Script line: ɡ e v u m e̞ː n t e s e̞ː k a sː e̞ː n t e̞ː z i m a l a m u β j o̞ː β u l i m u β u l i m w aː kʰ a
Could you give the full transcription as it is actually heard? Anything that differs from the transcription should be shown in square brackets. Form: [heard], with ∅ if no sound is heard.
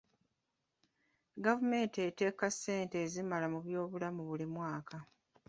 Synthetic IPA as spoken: ɡ [a] v u m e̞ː n t e [t] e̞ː k a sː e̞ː n t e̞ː z i m a l a m u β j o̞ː β u l [a] m u β u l i m w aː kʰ a